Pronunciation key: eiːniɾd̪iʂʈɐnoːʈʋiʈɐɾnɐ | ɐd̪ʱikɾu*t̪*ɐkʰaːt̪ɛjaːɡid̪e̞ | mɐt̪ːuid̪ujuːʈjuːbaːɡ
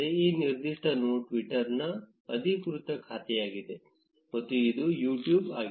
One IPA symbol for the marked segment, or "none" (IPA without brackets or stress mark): t̪